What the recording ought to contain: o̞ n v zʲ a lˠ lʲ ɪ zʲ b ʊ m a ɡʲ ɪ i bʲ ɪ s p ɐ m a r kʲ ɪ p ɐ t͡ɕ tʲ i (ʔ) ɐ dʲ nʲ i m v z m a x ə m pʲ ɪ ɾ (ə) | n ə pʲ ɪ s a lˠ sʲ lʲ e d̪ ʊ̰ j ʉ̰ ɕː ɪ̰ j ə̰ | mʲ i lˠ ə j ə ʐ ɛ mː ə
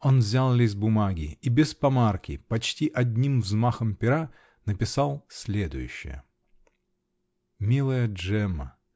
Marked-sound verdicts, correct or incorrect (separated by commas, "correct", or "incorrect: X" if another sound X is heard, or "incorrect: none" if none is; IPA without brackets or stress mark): correct, incorrect: a